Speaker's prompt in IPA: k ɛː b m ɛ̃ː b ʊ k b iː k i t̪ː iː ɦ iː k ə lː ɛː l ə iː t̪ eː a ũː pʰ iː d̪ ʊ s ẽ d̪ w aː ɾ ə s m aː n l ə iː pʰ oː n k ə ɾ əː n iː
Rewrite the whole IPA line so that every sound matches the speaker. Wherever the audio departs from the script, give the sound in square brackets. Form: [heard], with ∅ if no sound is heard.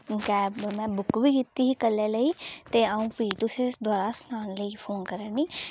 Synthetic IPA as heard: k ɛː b m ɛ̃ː b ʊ k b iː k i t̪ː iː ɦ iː k ə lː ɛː l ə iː t̪ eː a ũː [p] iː [t̪] ʊ s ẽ d̪ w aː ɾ [a] s [n] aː n l ə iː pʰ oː n k ə ɾ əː n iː

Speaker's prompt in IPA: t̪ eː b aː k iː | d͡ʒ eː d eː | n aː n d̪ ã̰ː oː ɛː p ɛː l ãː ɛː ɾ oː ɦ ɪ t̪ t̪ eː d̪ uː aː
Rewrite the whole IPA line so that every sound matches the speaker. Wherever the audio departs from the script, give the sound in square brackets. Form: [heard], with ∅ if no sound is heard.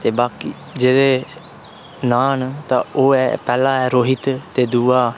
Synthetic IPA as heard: t̪ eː b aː k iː | d͡ʒ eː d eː | n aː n [t̪] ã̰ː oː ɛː p ɛː l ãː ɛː ɾ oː ɦ ɪ t̪ t̪ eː d̪ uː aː

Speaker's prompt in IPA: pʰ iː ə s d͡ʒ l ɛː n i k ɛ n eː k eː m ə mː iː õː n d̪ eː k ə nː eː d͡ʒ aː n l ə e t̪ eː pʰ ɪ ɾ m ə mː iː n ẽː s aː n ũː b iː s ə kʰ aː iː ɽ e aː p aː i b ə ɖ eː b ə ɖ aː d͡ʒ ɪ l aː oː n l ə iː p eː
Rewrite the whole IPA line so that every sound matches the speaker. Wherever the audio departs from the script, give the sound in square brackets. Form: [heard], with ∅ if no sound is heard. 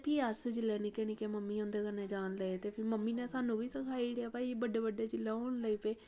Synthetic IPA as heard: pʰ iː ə s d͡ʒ l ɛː n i k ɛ n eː k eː m ə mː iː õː n d̪ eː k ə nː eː d͡ʒ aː n l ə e t̪ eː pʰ ɪ ɾ m ə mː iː n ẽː s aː n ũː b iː s ə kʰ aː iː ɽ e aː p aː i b ə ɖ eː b ə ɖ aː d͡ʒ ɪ l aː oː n l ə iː p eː

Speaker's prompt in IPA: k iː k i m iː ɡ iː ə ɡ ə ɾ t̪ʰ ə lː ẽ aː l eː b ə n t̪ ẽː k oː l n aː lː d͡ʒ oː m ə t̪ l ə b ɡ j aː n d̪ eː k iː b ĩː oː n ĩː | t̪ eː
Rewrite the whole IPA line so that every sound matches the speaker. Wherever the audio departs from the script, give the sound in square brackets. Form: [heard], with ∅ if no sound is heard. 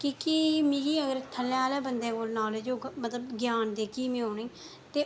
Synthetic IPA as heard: k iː k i m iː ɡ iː ə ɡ ə ɾ t̪ʰ ə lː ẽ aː l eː b ə n [d̪] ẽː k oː l n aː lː d͡ʒ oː m ə t̪ l ə b ɡ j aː n d̪ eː k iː [m] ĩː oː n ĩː | t̪ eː

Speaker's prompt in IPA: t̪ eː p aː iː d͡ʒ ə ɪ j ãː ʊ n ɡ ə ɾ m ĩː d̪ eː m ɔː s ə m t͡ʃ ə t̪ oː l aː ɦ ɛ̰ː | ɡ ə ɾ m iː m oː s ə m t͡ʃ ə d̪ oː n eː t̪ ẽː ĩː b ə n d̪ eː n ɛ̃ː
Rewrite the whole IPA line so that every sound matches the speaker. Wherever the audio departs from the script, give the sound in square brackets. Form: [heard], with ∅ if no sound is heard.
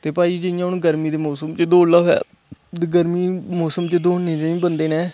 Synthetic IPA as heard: t̪ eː p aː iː d͡ʒ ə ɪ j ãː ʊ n ɡ ə ɾ m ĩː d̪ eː m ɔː s ə m t͡ʃ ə [d̪] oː l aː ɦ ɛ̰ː | ɡ ə ɾ m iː m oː s ə m t͡ʃ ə d̪ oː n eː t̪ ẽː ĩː b ə n d̪ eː n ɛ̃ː

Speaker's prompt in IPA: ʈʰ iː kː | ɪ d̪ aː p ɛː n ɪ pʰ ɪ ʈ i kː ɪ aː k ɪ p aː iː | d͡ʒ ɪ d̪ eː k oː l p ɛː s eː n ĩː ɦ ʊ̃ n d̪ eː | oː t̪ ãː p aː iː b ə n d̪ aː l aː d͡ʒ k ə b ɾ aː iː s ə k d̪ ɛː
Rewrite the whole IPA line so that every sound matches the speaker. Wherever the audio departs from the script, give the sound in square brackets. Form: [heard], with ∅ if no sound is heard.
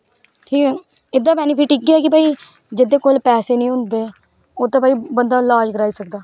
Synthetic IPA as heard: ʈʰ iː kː | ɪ d̪ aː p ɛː n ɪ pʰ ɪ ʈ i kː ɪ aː k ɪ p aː iː | d͡ʒ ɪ d̪ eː k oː l p ɛː s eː n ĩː ɦ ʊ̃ n d̪ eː | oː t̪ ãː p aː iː b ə n d̪ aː l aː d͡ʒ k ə [∅] ɾ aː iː s ə k d̪ [aː]

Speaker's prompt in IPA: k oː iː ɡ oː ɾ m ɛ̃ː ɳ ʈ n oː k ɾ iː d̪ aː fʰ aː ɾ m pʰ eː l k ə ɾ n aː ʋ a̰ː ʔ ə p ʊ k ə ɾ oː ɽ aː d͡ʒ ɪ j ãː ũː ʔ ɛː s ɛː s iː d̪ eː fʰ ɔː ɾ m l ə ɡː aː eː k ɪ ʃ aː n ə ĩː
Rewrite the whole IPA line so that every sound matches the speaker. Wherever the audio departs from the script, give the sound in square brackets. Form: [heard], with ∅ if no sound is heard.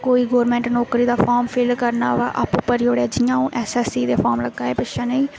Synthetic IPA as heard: k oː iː ɡ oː ɾ m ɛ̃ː ɳ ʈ n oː k ɾ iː d̪ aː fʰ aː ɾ m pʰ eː l k ə ɾ n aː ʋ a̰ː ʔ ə p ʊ [p] ə ɾ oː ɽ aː d͡ʒ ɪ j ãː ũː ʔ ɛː s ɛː s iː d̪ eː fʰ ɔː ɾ m l ə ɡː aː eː [p] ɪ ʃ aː n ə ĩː

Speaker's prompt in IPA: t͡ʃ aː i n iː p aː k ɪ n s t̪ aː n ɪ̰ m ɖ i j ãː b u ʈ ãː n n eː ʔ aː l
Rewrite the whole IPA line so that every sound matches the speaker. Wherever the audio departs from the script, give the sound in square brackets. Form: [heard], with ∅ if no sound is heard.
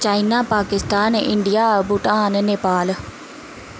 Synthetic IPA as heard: t͡ʃ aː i n [aː] p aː k ɪ [∅] s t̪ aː n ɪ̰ [ɳ] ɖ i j [aː] b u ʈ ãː n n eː [p] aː l

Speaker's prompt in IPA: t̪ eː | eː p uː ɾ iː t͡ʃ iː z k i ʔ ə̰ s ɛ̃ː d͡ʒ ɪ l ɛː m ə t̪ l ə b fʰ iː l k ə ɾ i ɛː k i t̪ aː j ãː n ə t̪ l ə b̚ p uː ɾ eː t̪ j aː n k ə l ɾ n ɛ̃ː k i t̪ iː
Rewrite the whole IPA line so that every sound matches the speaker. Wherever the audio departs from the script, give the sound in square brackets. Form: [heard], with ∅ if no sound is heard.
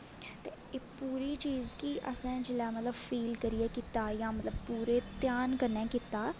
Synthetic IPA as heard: t̪ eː | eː p uː ɾ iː t͡ʃ iː z k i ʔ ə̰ s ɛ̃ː d͡ʒ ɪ l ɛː m ə t̪ l ə b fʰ iː l k ə ɾ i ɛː k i t̪ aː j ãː [m] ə t̪ l ə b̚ p uː ɾ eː t̪ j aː n k ə [∅] ɾ n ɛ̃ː k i t̪ [aː]

